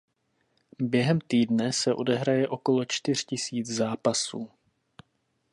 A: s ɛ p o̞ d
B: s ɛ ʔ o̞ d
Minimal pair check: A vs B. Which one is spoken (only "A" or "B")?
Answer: B